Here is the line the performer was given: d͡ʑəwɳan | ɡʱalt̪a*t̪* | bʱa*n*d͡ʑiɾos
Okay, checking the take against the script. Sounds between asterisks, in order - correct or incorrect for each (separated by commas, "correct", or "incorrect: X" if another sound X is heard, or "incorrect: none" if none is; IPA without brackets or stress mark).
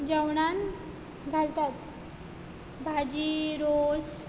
correct, incorrect: none